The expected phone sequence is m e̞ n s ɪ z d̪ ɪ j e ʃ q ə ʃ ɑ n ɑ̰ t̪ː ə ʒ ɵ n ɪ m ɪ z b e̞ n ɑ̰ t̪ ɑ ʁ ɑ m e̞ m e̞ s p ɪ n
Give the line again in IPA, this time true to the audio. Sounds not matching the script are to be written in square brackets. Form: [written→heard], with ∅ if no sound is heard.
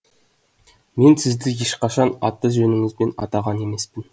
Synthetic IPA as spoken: m e̞ n s ɪ z d̪ ɪ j e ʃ q [ə→ɑ] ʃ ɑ n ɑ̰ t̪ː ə ʒ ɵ n ɪ [m→ŋ] ɪ z b e̞ n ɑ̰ t̪ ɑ ʁ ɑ [m→n] e̞ m e̞ s p ɪ n